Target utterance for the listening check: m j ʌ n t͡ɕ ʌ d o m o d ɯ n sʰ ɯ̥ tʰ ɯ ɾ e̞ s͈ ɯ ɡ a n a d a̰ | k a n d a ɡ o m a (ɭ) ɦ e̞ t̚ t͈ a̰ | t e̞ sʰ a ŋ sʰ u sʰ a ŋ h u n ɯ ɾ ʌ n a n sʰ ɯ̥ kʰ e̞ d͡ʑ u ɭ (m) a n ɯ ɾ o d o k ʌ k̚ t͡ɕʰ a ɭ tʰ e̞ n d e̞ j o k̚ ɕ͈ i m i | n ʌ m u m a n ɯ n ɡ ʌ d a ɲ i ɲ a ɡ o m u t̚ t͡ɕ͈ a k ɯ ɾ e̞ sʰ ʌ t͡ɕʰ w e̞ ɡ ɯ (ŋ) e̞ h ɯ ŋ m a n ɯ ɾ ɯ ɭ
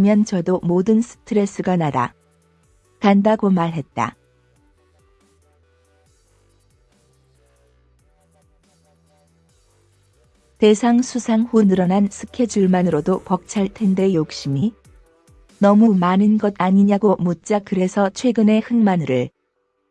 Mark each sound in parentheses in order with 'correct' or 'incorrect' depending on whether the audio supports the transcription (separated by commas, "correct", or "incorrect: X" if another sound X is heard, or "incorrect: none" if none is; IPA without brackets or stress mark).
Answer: correct, correct, incorrect: n